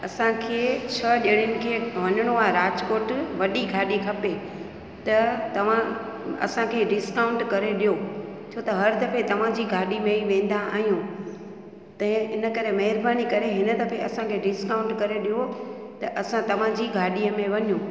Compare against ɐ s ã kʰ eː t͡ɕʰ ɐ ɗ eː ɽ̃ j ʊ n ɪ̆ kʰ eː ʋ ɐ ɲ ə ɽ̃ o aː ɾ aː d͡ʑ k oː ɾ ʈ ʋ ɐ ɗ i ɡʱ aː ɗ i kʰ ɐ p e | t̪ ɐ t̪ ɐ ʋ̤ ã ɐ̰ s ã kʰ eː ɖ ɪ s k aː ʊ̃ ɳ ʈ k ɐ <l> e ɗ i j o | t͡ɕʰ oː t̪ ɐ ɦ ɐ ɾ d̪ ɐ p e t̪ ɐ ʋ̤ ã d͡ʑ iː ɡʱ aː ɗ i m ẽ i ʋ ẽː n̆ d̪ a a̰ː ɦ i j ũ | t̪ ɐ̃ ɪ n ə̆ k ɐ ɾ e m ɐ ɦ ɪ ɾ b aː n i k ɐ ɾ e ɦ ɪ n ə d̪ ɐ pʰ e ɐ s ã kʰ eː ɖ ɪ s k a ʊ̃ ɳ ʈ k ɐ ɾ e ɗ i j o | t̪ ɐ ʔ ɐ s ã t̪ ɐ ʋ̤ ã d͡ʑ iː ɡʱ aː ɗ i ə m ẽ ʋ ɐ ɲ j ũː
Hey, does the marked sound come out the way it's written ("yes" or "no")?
no